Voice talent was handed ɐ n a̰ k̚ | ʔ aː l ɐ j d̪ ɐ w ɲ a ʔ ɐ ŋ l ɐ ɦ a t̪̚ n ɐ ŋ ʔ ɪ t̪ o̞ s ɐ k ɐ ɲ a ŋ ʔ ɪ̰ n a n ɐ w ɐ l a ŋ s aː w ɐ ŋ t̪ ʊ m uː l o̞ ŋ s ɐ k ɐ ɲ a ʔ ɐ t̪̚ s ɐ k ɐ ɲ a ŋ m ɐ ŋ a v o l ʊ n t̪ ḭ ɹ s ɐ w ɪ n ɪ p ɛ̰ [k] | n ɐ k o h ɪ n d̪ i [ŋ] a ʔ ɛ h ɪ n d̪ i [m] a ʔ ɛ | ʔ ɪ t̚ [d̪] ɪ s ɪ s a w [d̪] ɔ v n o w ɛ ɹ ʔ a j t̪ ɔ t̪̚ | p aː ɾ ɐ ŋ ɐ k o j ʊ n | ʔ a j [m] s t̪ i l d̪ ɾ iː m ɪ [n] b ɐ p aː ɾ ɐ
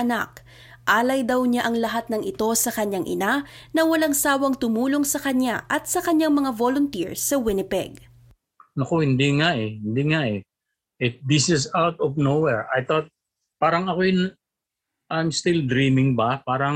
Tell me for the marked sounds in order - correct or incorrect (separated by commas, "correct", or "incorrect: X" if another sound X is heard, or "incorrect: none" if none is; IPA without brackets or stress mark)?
incorrect: ɡ, correct, incorrect: ŋ, correct, incorrect: t̪, correct, incorrect: ŋ